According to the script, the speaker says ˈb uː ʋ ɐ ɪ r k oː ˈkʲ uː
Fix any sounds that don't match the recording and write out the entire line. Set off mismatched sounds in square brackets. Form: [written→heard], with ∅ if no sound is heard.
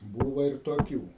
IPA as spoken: ˈb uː ʋ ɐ ɪ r [k→t] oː ˈkʲ uː